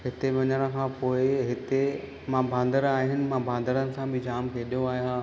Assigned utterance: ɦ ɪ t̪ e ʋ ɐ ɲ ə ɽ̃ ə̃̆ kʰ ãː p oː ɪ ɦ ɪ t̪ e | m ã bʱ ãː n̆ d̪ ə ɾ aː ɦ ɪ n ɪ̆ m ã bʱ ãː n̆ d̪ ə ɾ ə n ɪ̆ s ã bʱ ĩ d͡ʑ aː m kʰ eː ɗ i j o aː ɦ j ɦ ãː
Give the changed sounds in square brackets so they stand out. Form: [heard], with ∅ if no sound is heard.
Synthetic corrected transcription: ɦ ɪ t̪ e ʋ ɐ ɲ ə ɽ̃ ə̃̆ kʰ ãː p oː ɪ ɦ ɪ t̪ e | m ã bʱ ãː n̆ d̪ ə ɾ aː ɦ ɪ n ɪ̆ m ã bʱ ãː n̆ d̪ ə ɾ ə n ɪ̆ s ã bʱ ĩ d͡ʑ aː m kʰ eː ɗ i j o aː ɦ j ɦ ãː